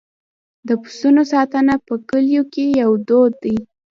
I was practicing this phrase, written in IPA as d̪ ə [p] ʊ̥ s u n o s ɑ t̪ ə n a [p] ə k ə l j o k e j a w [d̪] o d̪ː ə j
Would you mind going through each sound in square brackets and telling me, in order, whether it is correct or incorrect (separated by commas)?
correct, correct, correct